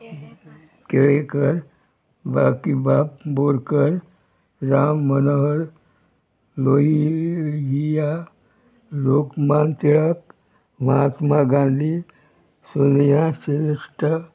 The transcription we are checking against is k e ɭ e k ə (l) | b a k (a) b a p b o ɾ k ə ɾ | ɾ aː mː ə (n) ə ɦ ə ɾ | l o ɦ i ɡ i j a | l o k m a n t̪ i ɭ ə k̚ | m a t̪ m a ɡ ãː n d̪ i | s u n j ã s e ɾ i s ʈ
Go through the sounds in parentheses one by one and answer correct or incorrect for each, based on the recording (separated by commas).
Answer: incorrect, incorrect, correct